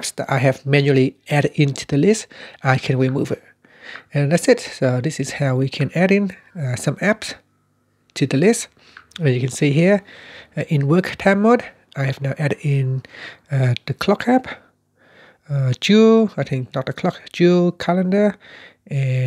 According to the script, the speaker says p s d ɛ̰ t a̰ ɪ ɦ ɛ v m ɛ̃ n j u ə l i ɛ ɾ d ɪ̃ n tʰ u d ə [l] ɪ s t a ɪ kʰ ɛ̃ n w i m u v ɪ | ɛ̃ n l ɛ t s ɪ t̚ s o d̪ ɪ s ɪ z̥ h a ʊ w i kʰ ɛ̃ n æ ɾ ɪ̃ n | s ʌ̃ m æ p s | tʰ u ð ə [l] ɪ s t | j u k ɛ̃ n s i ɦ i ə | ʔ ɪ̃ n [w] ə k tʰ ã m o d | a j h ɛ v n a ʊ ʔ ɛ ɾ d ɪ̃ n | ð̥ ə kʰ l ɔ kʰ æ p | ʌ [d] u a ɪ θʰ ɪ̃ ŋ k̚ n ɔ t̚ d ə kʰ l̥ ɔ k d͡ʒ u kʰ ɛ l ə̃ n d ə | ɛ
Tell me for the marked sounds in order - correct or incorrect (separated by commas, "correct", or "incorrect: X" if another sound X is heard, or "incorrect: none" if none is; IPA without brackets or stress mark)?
correct, correct, correct, incorrect: d͡ʒ